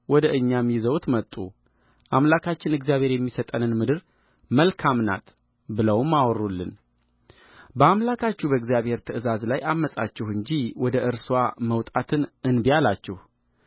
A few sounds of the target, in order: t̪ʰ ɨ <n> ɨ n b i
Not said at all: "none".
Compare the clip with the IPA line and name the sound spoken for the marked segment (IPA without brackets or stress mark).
n